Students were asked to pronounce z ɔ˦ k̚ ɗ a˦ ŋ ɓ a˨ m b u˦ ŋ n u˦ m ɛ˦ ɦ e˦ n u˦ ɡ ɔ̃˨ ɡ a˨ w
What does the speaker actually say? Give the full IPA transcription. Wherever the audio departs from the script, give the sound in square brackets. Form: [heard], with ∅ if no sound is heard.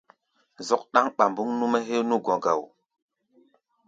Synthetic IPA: z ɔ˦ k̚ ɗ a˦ ŋ ɓ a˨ m b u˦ ŋ n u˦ m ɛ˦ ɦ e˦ n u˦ ɡ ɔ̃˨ ɡ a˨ w